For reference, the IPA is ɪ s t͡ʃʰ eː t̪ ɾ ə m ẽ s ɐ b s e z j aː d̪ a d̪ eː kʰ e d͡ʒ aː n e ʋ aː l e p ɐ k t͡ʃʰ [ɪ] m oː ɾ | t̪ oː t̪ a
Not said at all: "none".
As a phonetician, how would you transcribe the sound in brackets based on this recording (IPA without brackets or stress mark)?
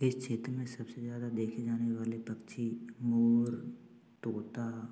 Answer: i